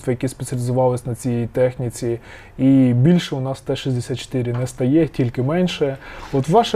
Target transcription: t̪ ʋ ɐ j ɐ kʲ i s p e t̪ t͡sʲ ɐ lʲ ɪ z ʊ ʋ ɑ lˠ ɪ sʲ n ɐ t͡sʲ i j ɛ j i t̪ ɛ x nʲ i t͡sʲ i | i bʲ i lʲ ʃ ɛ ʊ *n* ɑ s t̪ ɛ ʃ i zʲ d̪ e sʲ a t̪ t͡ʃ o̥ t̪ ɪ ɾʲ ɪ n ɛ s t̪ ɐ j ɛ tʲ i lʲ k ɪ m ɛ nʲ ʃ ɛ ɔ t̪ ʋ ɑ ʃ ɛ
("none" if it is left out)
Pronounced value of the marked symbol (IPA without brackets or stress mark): n